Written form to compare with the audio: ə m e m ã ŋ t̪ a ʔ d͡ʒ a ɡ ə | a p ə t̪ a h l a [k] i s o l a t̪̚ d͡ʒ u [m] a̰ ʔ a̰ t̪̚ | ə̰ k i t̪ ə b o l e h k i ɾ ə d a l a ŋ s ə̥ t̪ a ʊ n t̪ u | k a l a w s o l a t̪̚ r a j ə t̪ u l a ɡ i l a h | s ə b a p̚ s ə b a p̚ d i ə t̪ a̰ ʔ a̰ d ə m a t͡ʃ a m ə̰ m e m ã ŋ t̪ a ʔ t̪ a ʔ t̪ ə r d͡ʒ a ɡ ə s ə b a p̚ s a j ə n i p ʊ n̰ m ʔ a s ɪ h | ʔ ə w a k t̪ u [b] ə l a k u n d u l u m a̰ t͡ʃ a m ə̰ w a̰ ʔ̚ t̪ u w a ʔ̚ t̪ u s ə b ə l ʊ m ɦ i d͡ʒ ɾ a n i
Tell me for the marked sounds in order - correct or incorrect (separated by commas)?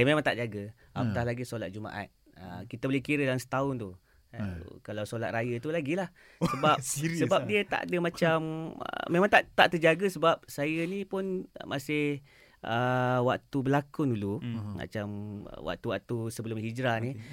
incorrect, correct, correct